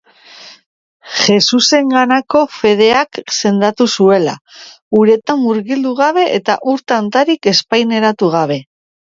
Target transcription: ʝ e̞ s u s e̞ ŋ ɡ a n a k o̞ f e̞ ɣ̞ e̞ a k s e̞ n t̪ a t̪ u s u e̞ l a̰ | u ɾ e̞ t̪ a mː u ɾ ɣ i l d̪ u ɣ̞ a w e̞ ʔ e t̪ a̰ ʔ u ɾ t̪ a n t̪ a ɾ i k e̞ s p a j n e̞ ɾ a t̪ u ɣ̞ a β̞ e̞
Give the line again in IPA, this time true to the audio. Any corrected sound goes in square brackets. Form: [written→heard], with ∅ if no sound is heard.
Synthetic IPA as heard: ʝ e̞ s u s e̞ ŋ ɡ a n a k o̞ f e̞ [ɣ̞→ð̞] e̞ a k s e̞ n [t̪→d̪] a t̪ u s u e̞ l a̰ | u ɾ e̞ t̪ a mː u ɾ ɣ i l d̪ u ɣ̞ a [w→β] e̞ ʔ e t̪ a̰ ʔ u ɾ t̪ a n t̪ a ɾ i k e̞ s p a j n e̞ ɾ a t̪ u ɣ̞ a β̞ e̞